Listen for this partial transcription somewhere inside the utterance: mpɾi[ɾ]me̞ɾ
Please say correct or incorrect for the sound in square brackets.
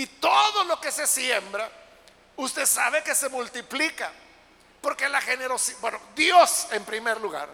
incorrect